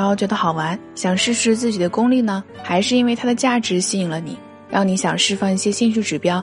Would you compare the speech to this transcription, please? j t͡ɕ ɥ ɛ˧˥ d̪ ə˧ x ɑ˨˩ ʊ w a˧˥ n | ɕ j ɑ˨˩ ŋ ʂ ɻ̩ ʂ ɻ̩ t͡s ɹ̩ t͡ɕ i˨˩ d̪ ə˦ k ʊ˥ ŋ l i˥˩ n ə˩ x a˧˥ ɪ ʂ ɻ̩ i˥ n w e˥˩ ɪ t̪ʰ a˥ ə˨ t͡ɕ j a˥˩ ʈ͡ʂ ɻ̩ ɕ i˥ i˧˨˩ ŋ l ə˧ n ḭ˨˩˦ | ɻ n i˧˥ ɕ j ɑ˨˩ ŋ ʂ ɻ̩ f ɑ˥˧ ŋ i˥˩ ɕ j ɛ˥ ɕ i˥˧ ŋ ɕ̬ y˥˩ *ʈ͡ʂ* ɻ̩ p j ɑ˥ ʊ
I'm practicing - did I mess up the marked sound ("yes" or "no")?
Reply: no